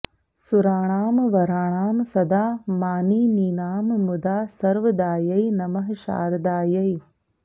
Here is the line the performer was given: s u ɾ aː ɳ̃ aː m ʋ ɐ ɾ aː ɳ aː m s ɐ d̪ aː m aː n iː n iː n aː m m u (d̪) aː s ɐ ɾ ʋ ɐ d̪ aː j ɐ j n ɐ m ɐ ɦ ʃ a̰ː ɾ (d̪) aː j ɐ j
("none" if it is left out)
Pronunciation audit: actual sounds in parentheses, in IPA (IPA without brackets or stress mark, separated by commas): d̪, d̪